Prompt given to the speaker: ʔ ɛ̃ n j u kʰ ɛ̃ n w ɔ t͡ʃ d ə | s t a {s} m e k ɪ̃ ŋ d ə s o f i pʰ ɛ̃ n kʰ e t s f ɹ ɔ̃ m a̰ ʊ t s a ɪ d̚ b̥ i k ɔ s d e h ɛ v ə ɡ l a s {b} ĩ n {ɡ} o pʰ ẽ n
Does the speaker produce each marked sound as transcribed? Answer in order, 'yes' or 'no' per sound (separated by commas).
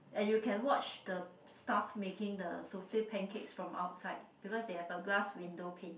no, no, no